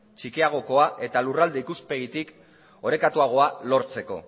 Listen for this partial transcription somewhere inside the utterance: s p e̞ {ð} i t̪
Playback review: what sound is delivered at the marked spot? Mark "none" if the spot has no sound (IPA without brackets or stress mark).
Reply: ɣ